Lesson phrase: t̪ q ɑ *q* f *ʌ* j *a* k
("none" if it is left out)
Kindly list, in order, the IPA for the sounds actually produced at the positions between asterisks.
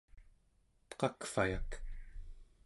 k, a, a

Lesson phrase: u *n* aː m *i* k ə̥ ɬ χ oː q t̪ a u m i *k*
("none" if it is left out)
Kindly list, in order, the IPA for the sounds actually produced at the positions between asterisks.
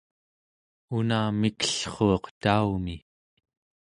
n, i, none

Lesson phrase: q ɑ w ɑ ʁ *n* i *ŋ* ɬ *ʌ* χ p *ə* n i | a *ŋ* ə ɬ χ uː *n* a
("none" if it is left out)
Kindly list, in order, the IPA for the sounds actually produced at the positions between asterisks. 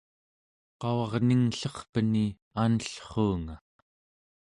n, ŋ, ʌ, ə, n, ŋ

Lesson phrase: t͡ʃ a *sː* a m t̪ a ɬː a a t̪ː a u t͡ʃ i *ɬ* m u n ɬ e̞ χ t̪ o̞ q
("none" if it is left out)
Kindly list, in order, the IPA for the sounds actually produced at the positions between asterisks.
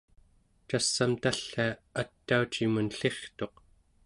sː, none

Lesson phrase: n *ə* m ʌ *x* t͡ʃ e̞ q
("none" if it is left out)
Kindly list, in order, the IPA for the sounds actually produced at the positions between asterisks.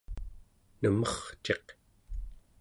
ə, χ

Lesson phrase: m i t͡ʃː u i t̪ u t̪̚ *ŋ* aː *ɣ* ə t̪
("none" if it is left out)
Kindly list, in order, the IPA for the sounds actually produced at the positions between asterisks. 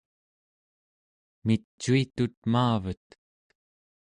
m, v

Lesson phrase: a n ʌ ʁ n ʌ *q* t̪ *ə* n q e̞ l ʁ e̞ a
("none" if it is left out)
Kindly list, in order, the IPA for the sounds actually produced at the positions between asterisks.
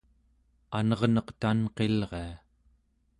q, a

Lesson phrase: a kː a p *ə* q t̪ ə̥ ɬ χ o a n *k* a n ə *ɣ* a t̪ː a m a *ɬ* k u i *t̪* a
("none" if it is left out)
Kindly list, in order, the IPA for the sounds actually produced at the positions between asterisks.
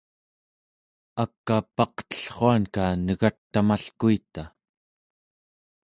ɑ, k, ɣ, ɬ, t̪

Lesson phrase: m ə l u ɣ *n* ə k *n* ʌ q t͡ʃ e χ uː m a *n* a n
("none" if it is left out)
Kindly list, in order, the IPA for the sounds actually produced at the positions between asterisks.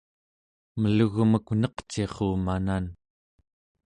m, n, n

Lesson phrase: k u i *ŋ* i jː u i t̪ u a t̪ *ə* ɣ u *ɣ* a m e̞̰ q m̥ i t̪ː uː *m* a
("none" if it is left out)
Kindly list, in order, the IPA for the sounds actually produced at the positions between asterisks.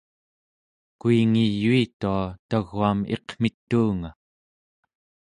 ŋ, a, none, ŋ

